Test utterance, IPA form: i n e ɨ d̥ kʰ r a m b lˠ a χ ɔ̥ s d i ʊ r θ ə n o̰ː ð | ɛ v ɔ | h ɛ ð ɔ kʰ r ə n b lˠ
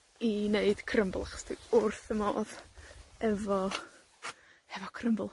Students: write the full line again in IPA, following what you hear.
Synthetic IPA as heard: i n e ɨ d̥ kʰ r ə m b lˠ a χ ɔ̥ s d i ʊ r θ ə m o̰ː ð | ɛ v ɔ | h ɛ v ɔ kʰ r ə m b lˠ

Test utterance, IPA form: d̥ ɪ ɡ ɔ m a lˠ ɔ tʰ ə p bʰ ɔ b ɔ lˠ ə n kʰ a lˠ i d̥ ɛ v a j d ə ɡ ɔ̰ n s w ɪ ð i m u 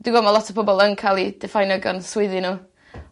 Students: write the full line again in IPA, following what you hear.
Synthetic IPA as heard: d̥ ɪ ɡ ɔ m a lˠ ɔ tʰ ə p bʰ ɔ b ɔ lˠ ə n kʰ a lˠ i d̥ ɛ f a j n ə ɡ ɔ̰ n s w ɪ ð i n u

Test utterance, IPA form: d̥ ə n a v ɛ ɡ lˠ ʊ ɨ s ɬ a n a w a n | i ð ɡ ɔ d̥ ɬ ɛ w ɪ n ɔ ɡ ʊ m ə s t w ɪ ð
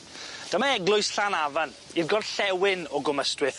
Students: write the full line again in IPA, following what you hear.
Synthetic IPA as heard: d̥ ə m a ɛ ɡ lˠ ʊ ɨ s ɬ a n a v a n | i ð ɡ ɔ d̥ ɬ ɛ w ɪ n ɔ ɡ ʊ m ə s t w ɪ θ

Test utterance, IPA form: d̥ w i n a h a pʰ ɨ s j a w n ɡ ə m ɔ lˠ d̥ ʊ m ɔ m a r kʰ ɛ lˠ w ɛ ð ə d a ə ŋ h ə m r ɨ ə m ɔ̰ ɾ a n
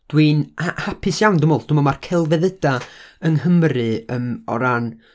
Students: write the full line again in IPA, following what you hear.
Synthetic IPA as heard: d̥ w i n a h a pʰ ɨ s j a w n d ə m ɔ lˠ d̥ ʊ m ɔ m a r kʰ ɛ lˠ v ɛ ð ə d a ə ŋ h ə m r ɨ ə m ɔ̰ ɾ a n

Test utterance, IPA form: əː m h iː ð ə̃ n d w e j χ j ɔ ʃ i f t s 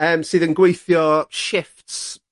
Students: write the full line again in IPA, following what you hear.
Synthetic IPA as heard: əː m s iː ð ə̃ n ɡ w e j θ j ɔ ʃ ɪ f t s

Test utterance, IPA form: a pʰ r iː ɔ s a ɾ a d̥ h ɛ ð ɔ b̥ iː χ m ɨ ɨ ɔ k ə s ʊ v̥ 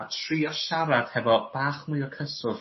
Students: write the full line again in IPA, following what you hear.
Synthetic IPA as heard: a tʰ r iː ɔ ʃ a ɾ a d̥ h ɛ v ɔ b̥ aː χ m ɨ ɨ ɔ kʰ ə s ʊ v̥

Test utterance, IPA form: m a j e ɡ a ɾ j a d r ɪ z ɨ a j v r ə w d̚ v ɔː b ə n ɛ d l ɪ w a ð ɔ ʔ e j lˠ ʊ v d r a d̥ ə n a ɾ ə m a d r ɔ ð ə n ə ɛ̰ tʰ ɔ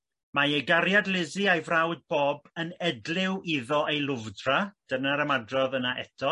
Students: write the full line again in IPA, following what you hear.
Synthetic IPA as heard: m a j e ɡ a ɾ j a d l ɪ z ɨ a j v r a w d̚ b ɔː b ə n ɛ d l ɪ w i ð ɔ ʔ e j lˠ ʊ v d r a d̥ ə n a ɾ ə m a d r ɔ ð ə n a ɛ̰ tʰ ɔ

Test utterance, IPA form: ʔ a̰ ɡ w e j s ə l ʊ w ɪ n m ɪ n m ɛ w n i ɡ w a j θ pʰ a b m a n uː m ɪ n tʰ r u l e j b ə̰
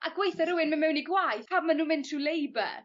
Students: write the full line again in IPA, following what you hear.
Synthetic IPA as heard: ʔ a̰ ɡ w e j θ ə ɾ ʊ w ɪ n m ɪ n m ɛ w n i ɡ w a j θ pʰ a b m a n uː m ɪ n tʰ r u l e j b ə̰

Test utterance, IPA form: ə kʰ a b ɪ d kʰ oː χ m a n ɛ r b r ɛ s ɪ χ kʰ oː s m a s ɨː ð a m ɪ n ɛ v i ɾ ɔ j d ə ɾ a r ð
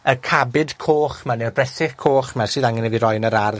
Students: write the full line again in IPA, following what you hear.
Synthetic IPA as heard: ə kʰ a b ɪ d kʰ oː χ m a n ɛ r b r ɛ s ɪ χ kʰ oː χ m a s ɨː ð a ŋ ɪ n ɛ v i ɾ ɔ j n ə ɾ a r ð

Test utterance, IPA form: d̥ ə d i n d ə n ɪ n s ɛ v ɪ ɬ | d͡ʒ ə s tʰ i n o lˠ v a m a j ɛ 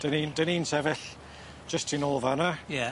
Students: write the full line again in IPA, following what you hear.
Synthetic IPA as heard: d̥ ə n i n d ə n i n s ɛ v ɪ ɬ | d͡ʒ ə s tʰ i n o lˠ v a n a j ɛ

